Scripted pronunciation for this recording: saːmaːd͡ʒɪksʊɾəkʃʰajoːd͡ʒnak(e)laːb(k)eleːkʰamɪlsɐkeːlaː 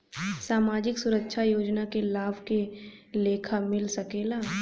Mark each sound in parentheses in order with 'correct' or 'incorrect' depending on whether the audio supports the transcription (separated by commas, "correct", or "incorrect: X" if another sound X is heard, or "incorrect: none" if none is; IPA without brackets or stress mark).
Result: correct, correct